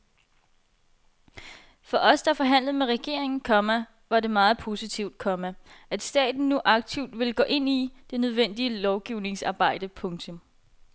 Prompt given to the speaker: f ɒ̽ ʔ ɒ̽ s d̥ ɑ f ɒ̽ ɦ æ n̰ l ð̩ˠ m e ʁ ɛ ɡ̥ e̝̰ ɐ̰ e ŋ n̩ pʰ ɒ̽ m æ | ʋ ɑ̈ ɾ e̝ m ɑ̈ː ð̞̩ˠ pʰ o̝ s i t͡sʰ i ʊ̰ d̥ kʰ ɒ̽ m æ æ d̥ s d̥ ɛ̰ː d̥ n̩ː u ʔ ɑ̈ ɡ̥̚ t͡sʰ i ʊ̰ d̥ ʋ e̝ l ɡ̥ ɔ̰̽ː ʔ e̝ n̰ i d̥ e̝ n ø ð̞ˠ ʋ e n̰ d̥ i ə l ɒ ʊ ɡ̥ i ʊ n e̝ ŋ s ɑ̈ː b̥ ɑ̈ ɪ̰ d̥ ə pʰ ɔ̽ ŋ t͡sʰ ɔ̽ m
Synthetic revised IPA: f ɒ̽ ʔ ɒ̽ s d̥ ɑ f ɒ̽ ɦ æ n̰ l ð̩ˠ m e ʁ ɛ ɡ̥ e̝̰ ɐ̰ e ŋ n̩ kʰ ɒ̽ m æ | ʋ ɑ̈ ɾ e̝ m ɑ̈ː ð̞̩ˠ pʰ o̝ s i t͡sʰ i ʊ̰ d̥ kʰ ɒ̽ m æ æ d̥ s d̥ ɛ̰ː d̥ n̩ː u ʔ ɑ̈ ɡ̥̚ t͡sʰ i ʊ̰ d̥ ʋ e̝ l ɡ̥ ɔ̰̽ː ʔ e̝ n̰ i d̥ e̝ n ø ð̞ˠ ʋ e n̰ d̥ i ə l ɒ ʊ ɡ̥ i ʊ n e̝ ŋ s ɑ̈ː b̥ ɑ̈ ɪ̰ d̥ ə pʰ ɔ̽ ŋ t͡sʰ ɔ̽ m